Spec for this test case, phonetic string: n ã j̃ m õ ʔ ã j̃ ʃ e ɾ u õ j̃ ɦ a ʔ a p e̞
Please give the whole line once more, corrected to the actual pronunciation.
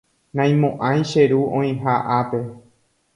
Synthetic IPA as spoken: n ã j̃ m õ ʔ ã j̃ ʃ e ɾ u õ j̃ ɦ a ʔ a p e̞